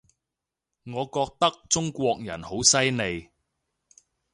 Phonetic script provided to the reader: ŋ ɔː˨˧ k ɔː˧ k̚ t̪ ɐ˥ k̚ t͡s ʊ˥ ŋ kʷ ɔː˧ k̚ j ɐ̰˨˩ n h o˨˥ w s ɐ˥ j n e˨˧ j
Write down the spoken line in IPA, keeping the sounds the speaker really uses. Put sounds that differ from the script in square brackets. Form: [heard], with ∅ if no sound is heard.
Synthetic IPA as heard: ŋ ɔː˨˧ k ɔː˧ k̚ t̪ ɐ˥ k̚ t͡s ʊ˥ ŋ kʷ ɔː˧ k̚ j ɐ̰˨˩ n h o˨˥ w s ɐ˥ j n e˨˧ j